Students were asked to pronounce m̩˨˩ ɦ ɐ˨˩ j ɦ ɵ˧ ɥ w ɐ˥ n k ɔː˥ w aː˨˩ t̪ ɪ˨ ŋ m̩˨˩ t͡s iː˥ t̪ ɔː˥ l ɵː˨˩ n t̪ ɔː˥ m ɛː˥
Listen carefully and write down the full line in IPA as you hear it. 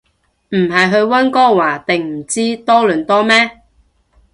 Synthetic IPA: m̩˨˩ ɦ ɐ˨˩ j ɦ ɵ˧ ɥ w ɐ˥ n k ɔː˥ w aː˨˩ t̪ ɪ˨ ŋ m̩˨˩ t͡s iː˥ t̪ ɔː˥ l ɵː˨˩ n t̪ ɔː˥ m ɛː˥